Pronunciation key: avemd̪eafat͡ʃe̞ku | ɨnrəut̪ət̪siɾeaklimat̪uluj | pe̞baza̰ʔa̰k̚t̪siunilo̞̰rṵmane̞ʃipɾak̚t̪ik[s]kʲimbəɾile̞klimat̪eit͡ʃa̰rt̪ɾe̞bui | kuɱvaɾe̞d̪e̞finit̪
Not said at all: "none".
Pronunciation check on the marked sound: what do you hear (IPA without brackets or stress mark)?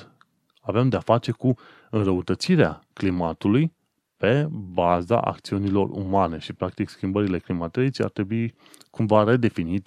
s